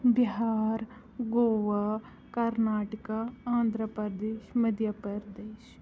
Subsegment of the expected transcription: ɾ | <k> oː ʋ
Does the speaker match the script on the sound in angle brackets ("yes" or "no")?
no